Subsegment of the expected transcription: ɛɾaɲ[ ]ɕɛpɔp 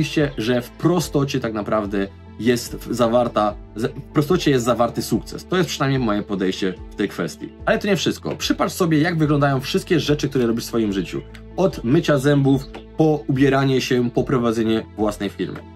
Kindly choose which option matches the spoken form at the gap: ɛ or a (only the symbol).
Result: ɛ